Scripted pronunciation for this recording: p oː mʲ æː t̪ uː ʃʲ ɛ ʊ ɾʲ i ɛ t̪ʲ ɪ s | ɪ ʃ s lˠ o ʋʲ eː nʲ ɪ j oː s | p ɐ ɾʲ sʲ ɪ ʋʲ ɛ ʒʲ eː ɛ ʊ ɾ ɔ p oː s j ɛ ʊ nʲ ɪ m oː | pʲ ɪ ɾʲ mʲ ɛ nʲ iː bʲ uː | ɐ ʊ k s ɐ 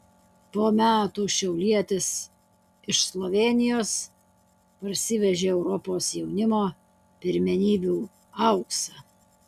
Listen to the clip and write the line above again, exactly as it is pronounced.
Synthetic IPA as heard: p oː mʲ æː t̪ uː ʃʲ ɛ ʊ lʲ i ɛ t̪ʲ ɪ s | ɪ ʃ s lˠ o ʋʲ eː nʲ ɪ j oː s | p ɐ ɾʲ sʲ ɪ ʋʲ ɛ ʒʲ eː ɛ ʊ ɾ ɔ p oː s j ɛ ʊ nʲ ɪ m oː | pʲ ɪ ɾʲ mʲ ɛ nʲ iː bʲ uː | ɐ ʊ k s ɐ